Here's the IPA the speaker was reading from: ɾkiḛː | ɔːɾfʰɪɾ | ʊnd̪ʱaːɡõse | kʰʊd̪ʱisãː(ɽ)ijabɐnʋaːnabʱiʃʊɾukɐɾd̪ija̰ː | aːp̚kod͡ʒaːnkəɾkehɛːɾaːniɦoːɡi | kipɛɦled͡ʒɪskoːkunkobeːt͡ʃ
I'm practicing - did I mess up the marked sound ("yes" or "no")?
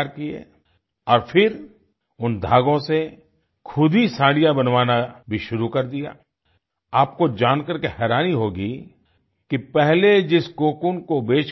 no